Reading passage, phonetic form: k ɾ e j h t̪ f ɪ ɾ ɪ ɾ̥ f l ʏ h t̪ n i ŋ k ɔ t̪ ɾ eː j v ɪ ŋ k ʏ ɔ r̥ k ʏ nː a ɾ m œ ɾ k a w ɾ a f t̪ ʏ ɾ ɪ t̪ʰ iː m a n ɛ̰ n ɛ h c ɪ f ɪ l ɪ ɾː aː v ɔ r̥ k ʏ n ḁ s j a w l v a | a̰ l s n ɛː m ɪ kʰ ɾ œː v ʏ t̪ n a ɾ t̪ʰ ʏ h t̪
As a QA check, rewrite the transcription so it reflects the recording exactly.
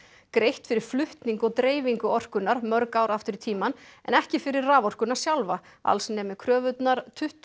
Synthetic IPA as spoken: k ɾ e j h t̪ f ɪ ɾ ɪ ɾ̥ f l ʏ h t̪ n i ŋ k ɔ t̪ ɾ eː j v i ŋ k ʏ ɔ r̥ k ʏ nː a ɾ m œ ɾ k a w ɾ a f t̪ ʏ ɾ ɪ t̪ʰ iː m a n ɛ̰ n ɛ h c ɪ f ɪ ɾ ɪ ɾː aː v ɔ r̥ k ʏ n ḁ s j a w l v a | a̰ l s n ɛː m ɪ kʰ ɾ œː v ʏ t̪ n a ɾ t̪ʰ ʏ h t̪